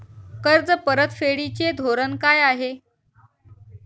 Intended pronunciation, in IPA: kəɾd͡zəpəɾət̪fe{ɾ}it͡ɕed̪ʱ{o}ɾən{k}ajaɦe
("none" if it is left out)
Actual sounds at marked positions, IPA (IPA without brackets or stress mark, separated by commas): ɽ, o, k